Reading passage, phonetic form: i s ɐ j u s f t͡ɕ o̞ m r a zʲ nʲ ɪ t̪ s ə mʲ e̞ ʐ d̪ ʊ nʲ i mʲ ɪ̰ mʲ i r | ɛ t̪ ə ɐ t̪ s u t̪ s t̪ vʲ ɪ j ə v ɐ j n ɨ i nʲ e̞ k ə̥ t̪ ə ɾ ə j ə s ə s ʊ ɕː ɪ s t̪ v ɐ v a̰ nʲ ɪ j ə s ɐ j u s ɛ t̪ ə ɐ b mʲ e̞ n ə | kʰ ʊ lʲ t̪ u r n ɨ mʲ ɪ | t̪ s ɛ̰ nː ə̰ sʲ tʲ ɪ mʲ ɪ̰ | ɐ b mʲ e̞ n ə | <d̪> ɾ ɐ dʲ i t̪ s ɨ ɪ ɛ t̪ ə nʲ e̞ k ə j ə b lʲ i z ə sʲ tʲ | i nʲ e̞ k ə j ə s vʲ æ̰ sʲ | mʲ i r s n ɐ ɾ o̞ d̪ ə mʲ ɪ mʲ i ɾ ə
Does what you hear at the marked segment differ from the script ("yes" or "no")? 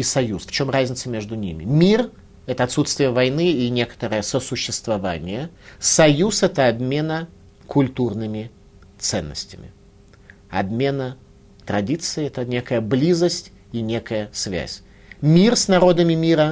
yes